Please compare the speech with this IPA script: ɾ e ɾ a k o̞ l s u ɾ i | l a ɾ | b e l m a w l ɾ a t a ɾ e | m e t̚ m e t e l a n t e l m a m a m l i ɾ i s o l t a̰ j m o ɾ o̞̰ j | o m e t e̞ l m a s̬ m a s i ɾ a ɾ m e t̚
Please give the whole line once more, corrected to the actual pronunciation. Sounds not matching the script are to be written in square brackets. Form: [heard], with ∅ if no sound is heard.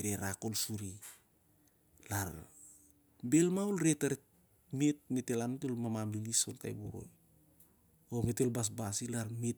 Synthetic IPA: ɾ e ɾ a k o̞ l s u ɾ i | l a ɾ | b e l m a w l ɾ [e] t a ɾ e | m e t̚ m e t e l a n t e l m a m a m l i [l] i s o l t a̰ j [b] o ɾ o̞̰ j | o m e t e̞ l [b] a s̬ [b] a s i [l] a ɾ m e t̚